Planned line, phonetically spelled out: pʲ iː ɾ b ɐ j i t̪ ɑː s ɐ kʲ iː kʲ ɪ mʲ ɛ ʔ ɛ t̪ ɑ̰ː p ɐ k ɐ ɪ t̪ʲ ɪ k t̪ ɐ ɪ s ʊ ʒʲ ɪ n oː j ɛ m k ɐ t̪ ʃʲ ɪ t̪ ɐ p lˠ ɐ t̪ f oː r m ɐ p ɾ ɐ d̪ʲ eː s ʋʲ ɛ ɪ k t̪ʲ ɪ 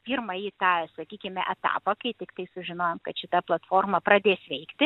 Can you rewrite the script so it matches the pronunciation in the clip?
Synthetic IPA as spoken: pʲ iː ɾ m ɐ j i t̪ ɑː s ɐ kʲ iː kʲ ɪ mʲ ɛ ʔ ɛ t̪ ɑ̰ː p ɐ k ɐ ɪ t̪ʲ ɪ k t̪ ɐ ɪ s ʊ ʒʲ ɪ n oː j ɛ m k ɐ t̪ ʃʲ ɪ t̪ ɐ p lˠ ɐ t̪ f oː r m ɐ p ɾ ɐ d̪ʲ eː s ʋʲ ɛ ɪ k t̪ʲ ɪ